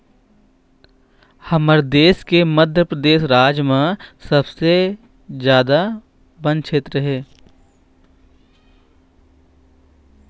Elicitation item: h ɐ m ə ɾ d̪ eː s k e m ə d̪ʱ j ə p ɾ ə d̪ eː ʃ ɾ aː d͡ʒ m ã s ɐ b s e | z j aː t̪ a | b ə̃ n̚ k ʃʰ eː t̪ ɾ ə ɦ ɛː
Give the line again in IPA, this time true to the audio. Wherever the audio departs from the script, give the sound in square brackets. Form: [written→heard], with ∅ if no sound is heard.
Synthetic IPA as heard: h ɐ m ə ɾ d̪ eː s k e m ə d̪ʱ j ə p ɾ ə d̪ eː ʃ ɾ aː d͡ʒ m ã s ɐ b s e | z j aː [t̪→d̪] a | b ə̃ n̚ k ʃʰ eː t̪ ɾ ə ɦ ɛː